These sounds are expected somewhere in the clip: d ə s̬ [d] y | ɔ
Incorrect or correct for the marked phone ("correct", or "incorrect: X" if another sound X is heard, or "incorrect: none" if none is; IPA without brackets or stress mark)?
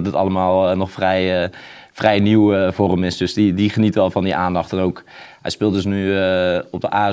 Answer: incorrect: n